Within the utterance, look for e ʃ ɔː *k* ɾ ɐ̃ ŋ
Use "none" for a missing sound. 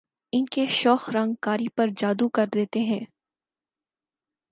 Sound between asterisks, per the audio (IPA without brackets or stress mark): x